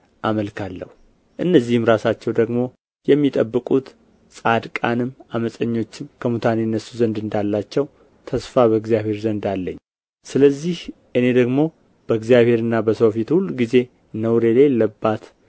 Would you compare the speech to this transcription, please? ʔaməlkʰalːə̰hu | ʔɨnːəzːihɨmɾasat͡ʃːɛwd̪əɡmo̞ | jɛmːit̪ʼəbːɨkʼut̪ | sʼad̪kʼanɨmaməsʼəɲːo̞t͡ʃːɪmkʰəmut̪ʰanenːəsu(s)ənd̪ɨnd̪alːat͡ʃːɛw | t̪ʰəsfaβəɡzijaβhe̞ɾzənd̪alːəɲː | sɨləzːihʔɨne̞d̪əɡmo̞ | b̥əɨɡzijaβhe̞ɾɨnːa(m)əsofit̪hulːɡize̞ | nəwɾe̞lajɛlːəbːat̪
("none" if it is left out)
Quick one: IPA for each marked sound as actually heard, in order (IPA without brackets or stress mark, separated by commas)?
z, b